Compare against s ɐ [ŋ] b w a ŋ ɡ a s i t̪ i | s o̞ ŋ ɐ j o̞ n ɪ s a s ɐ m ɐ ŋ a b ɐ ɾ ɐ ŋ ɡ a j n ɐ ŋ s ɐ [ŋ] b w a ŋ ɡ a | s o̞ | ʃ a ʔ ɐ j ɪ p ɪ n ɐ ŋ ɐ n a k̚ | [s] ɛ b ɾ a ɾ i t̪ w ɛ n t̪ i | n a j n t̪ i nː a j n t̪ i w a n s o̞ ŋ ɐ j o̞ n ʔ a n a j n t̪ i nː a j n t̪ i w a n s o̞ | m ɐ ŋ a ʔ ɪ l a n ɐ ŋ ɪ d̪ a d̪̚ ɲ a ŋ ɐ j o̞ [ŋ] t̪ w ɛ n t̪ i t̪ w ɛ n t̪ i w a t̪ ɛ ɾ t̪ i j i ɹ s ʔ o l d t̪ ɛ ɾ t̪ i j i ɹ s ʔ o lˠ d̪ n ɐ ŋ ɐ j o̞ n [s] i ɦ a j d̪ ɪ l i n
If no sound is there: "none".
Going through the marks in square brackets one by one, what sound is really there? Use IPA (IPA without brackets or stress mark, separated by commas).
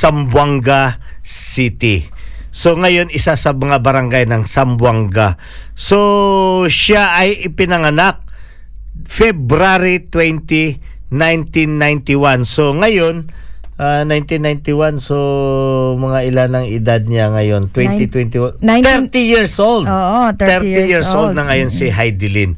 m, m, f, n, s